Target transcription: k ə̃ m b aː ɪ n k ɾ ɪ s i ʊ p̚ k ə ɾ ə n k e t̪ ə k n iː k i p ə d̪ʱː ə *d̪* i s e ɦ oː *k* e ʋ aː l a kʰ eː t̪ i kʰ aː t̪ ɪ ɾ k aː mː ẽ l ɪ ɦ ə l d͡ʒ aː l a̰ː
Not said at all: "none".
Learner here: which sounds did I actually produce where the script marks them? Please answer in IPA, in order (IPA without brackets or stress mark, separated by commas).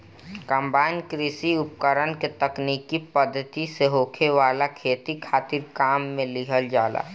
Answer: t̪, kʰ